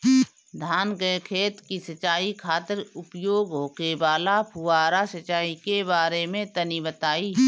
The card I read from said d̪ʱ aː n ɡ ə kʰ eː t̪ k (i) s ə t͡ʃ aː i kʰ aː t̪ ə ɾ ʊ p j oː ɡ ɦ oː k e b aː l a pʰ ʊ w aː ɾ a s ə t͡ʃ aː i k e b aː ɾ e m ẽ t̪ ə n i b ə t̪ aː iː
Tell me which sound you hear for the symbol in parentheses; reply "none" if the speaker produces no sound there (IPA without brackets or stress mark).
i